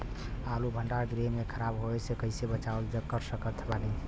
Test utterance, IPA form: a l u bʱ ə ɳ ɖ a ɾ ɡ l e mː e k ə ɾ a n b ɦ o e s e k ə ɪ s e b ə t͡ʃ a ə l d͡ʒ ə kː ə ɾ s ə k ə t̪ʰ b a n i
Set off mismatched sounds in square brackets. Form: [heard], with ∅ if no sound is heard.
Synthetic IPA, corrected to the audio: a l u bʱ ə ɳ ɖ a ɾ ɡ [ɾ] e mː e [kʰ] ə ɾ a [∅] b ɦ o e s e k ə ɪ s e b ə t͡ʃ a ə l d͡ʒ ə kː ə ɾ s ə k ə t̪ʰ b a n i

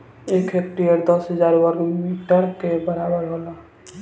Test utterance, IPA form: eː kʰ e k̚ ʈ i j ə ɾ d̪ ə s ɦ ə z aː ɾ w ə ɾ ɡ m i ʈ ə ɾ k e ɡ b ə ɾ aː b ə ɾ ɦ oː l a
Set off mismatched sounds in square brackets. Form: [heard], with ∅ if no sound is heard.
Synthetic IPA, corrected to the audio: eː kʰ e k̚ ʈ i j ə ɾ d̪ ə s ɦ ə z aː ɾ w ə ɾ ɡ m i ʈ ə ɾ k e [∅] b ə ɾ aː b ə ɾ ɦ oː l a

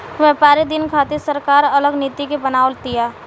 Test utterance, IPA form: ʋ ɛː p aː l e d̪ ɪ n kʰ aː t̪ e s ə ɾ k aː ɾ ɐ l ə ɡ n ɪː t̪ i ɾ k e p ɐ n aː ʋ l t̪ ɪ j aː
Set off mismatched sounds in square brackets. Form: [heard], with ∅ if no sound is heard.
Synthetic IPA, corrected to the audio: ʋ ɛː p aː [ɾ] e d̪ ɪ n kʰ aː t̪ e s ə ɾ k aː ɾ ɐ l ə ɡ n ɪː t̪ i [∅] k e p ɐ n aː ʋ l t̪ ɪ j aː

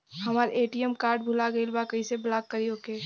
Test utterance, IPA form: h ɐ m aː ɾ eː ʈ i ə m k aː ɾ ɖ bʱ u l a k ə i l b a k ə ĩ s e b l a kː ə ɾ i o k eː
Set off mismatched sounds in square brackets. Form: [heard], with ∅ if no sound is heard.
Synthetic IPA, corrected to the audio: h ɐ m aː ɾ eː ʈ i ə m k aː ɾ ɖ bʱ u l a [ɡ] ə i l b a k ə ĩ s e b l a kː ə ɾ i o k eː

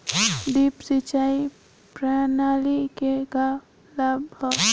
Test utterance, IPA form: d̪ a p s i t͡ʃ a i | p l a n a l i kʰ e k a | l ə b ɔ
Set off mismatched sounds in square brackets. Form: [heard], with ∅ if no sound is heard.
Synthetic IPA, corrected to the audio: d̪ [i] p s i t͡ʃ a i | p [ɾ] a n a l i [k] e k a | l [a] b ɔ

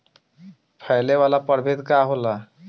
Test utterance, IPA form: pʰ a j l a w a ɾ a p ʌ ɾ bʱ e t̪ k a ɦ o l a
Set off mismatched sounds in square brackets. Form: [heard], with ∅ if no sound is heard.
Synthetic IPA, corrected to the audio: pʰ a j l [e] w a [l] a p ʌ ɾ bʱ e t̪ k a ɦ o l a

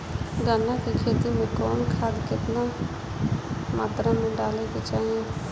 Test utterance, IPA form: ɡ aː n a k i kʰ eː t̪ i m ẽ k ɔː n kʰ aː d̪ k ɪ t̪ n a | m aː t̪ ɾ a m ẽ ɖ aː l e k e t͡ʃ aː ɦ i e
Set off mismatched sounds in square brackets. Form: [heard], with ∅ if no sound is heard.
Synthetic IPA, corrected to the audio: ɡ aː n a k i kʰ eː t̪ i m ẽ k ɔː n kʰ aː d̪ k ɪ t̪ n a | m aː t̪ ɾ a m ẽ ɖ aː l e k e t͡ʃ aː ɦ i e

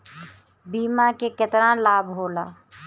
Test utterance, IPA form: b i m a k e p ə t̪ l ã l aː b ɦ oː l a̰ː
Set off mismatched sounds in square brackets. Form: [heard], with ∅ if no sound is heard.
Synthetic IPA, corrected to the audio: b [iː] m a k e [k] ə t̪ [ɾ] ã l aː b ɦ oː l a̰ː

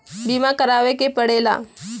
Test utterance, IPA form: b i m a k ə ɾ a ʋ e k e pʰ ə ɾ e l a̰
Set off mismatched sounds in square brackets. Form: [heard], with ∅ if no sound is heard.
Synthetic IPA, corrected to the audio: b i m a k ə ɾ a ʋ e k e [p] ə [ɽ] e l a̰

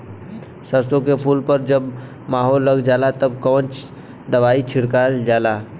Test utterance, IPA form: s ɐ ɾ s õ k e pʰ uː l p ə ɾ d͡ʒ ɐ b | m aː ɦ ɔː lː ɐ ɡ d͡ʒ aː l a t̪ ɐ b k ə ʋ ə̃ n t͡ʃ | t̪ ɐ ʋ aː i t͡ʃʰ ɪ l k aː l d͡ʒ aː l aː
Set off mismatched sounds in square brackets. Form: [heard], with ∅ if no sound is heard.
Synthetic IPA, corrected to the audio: s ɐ ɾ s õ k e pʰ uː l p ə ɾ d͡ʒ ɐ b | m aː ɦ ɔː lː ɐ ɡ d͡ʒ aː l a t̪ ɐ b k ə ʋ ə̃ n t͡ʃ | [d̪] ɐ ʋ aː i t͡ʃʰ ɪ [ɽ] k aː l d͡ʒ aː l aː

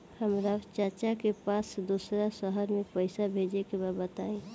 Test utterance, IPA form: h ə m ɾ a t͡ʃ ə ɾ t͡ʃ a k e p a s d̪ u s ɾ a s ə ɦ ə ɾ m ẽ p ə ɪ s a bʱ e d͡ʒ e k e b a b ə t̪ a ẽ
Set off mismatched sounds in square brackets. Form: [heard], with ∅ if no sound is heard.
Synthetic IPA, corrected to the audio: h ə m ɾ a t͡ʃ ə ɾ t͡ʃ a k e p a s d̪ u s ɾ a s ə ɦ ə ɾ m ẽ p ə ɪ s a bʱ e d͡ʒ e k e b a b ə t̪ a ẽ

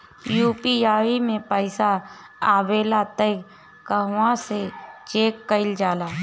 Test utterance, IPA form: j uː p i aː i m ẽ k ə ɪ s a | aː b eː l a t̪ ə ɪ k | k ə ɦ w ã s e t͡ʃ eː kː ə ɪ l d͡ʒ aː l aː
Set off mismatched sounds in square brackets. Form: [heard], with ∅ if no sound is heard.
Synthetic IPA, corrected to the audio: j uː p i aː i m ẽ [p] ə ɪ s a | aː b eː l a t̪ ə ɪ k | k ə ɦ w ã s e t͡ʃ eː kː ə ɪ l d͡ʒ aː l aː

